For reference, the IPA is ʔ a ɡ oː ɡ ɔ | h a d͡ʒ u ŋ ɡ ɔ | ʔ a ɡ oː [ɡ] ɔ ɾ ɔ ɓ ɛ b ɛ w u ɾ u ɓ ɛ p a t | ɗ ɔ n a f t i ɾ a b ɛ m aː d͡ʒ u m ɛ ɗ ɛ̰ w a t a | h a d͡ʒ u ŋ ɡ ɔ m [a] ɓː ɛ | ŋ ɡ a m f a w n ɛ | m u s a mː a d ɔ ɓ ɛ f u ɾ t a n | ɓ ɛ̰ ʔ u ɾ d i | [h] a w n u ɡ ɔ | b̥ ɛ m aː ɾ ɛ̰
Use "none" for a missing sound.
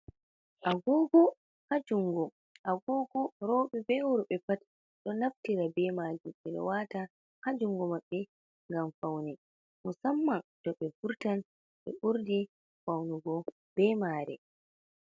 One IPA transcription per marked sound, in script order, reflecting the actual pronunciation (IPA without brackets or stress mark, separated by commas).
ɡ, a, f